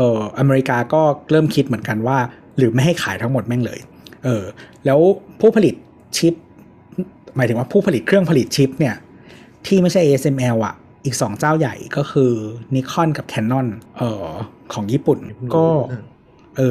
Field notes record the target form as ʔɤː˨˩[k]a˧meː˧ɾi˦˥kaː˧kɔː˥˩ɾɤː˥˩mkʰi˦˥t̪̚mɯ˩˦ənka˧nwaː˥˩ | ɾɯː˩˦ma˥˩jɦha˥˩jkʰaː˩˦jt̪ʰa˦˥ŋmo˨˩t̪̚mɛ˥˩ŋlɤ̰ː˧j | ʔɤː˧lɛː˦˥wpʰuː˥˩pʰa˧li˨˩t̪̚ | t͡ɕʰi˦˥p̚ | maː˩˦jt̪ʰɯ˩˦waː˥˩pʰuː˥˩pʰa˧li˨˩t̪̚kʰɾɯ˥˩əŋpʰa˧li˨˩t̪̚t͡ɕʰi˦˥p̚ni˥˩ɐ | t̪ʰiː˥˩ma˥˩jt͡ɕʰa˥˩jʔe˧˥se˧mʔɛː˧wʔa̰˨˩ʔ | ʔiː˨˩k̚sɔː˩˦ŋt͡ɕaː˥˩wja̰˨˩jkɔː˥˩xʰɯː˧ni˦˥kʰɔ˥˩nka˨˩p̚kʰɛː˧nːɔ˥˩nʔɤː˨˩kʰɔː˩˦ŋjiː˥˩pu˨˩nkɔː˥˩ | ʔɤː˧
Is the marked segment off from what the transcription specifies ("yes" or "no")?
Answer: yes